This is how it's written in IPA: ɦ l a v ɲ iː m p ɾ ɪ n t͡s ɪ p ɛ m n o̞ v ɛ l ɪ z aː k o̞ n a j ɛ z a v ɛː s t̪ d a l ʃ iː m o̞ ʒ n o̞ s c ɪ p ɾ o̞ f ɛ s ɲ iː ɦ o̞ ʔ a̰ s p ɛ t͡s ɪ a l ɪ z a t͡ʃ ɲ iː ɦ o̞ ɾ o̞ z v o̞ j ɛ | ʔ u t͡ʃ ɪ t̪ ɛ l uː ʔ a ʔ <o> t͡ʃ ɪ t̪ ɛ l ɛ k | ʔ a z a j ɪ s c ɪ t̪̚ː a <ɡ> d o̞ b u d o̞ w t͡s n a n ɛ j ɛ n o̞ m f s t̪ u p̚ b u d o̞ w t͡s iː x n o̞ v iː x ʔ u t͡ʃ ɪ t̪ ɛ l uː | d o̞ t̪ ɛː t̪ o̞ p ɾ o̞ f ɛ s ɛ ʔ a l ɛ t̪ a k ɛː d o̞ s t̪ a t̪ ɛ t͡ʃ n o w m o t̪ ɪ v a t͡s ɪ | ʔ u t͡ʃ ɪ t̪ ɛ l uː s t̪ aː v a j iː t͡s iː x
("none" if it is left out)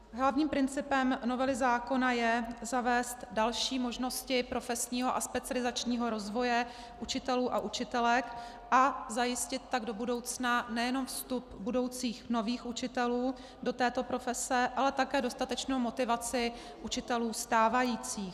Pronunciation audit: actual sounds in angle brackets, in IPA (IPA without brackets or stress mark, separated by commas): u, ɡ